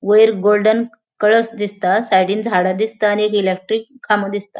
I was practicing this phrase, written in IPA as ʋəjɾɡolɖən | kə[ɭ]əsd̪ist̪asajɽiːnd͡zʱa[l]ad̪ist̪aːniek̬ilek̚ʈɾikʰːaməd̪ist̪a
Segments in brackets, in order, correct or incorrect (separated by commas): correct, incorrect